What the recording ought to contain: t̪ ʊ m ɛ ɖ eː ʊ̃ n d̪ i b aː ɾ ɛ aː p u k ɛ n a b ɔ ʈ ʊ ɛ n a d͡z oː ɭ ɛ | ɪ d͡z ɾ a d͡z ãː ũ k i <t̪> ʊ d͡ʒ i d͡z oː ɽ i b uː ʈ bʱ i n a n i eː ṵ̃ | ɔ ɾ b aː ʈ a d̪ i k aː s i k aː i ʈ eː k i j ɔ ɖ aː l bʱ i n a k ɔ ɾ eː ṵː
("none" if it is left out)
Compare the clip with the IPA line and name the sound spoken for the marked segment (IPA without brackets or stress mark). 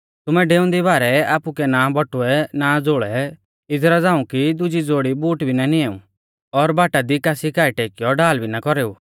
d̪